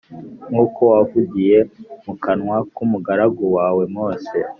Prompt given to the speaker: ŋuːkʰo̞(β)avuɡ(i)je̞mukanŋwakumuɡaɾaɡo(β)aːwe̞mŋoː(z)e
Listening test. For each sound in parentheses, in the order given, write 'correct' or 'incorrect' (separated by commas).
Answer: incorrect, correct, incorrect, incorrect